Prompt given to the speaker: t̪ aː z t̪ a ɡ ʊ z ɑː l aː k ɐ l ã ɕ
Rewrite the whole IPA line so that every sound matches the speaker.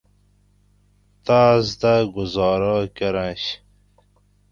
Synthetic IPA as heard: t̪ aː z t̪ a ɡ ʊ z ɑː ɾ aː k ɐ ɾ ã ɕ